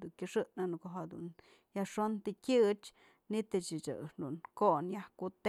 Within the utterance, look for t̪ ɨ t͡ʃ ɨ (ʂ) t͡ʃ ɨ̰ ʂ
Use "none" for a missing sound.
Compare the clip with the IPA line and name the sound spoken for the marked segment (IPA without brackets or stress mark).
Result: none